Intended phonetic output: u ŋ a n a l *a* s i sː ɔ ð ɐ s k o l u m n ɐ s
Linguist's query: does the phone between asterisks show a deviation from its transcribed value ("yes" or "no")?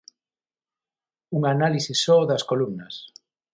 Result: yes